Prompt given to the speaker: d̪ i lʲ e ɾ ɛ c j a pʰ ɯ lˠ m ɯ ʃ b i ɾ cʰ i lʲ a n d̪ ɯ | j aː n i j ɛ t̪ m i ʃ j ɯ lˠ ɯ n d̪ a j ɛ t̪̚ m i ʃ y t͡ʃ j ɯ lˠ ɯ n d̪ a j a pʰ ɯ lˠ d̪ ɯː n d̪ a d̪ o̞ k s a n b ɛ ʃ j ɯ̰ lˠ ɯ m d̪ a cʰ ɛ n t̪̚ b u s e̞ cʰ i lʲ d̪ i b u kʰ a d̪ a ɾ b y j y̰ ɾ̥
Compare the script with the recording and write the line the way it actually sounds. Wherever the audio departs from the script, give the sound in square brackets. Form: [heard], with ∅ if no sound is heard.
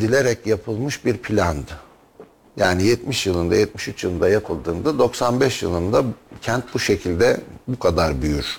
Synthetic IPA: d̪ i lʲ e ɾ ɛ c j a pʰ ɯ lˠ m ɯ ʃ b i ɾ [pʰ] i lʲ a n d̪ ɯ | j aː n i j ɛ t̪ m i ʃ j ɯ lˠ ɯ n d̪ a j ɛ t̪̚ m i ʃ y t͡ʃ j ɯ lˠ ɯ n d̪ a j a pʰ ɯ lˠ d̪ ɯː n d̪ a d̪ o̞ k s a n b ɛ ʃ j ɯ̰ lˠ ɯ [n] d̪ a cʰ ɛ n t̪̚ b u [ʃ] e̞ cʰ i lʲ d̪ [ɛ] b u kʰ a d̪ a ɾ b y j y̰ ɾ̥